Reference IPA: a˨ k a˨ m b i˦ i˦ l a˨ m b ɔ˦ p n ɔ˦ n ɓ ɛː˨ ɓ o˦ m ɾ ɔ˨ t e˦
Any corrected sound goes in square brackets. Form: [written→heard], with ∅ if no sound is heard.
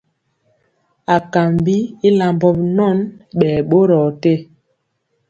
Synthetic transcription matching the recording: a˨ k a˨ m b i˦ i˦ l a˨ m b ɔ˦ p n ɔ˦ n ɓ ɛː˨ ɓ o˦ [m→∅] ɾ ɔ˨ t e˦